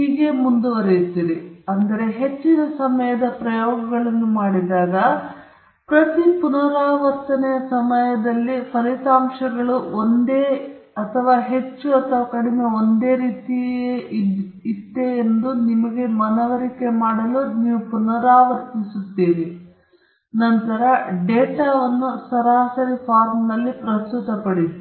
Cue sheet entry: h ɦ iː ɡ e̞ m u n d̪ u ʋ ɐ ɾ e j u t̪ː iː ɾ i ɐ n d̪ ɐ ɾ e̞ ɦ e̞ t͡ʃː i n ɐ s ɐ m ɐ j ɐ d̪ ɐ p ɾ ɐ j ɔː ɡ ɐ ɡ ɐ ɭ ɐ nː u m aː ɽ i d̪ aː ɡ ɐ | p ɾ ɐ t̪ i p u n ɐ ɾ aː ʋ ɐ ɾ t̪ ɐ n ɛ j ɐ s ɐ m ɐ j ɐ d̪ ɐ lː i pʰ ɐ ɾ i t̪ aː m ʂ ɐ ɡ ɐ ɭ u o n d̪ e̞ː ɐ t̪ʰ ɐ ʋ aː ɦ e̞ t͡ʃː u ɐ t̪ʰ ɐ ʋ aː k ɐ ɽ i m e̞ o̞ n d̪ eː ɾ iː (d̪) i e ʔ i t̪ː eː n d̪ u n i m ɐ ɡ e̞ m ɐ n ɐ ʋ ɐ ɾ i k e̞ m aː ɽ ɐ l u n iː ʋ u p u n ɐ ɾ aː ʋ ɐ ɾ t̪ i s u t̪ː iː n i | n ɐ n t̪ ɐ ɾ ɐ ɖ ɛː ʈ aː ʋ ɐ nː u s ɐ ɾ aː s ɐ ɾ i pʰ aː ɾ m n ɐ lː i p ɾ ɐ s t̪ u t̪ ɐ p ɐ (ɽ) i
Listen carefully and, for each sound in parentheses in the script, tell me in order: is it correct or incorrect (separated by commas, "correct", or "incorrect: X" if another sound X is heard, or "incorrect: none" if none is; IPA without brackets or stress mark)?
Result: incorrect: t̪, correct